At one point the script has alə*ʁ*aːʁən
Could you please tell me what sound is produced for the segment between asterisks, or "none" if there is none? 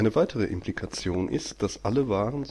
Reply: v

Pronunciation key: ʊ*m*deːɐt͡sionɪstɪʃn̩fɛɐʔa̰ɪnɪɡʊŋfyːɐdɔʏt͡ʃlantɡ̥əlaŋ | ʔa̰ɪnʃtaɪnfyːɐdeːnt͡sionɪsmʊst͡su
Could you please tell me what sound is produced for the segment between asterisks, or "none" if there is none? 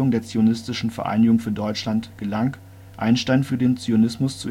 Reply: ŋ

